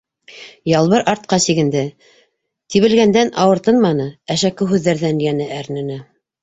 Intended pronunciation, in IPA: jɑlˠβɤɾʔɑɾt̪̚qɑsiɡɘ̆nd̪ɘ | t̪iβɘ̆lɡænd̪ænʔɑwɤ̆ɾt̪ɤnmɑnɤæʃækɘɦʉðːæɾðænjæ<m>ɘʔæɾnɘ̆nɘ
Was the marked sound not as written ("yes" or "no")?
yes